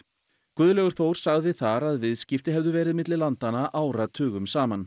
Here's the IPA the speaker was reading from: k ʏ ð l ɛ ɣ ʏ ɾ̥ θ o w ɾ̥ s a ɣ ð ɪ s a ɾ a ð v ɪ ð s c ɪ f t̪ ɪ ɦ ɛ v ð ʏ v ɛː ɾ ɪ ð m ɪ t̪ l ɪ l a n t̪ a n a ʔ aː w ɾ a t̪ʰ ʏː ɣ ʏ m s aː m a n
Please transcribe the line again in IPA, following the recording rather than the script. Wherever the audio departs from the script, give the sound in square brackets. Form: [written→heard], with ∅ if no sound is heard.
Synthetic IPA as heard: k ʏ ð l ɛ ɣ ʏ ɾ̥ θ o w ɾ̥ s a ɣ ð ɪ [s→θ] a ɾ a ð v ɪ ð s c ɪ f t̪ ɪ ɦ ɛ v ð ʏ v ɛː ɾ ɪ ð m ɪ t̪ l ɪ l a n t̪ a n a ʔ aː w ɾ a t̪ʰ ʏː ɣ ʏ m s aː m a n